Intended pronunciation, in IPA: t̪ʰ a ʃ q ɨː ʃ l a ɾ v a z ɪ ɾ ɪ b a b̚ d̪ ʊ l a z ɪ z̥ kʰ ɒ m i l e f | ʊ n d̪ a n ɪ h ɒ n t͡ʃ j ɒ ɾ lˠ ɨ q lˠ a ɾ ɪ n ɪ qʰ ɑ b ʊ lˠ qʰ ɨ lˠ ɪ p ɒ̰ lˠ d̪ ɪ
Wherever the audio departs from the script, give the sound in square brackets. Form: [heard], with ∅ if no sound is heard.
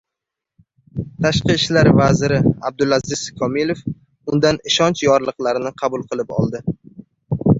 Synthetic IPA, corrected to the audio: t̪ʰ a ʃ q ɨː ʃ l a ɾ v a z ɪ ɾ ɪ [∅] a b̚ d̪ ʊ l a z ɪ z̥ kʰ ɒ m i l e f | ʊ n d̪ a n ɪ [ʃ] ɒ n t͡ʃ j ɒ ɾ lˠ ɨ q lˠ a ɾ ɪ n ɪ qʰ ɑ b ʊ lˠ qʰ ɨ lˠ ɪ p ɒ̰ lˠ d̪ ɪ